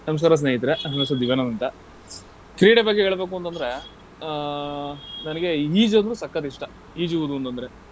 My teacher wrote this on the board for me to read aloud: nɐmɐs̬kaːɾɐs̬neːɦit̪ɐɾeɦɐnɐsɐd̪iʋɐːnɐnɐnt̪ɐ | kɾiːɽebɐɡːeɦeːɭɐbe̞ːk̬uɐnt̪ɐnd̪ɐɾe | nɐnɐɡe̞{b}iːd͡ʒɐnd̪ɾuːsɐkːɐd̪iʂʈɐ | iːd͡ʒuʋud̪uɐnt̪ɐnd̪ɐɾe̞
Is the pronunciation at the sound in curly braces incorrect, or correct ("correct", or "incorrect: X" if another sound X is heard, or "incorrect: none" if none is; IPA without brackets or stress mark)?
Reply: incorrect: none